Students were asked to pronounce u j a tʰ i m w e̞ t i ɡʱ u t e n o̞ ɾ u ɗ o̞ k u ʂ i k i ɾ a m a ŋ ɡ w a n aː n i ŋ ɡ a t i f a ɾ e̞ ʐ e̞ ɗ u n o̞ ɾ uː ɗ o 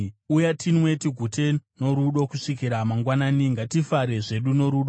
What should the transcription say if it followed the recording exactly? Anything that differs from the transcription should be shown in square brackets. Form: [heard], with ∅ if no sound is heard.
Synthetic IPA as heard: u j a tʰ i [n] w e̞ t i ɡʱ u t e n o̞ ɾ u ɗ o̞ k u ʂ i k i ɾ a m a ŋ ɡ w a n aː n i ŋ ɡ a t i f a ɾ e̞ ʐ e̞ ɗ u n o̞ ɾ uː ɗ o